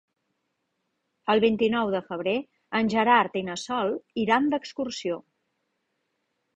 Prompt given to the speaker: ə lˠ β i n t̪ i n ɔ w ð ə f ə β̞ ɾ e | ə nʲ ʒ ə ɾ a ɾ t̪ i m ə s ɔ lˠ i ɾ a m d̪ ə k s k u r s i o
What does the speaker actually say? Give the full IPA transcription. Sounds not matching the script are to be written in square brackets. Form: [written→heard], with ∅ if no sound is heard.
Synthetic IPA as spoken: ə lˠ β i n t̪ i n ɔ w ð ə f ə β̞ ɾ e | ə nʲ ʒ ə ɾ a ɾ t̪ i [m→n] ə s ɔ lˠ i ɾ a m d̪ ə k s k u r s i o

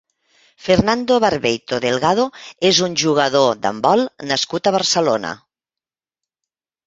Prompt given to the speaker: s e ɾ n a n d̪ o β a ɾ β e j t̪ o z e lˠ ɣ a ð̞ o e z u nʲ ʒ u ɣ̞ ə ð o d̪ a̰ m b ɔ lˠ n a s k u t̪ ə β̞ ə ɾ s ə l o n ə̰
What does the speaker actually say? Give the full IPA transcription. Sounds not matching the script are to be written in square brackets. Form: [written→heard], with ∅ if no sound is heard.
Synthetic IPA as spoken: [s→f] e ɾ n a n d̪ o β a ɾ β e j t̪ o [z→ð] e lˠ ɣ a ð̞ o e z u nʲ ʒ u ɣ̞ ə ð o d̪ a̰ m b ɔ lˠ n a s k u t̪ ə β̞ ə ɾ s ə l o n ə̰

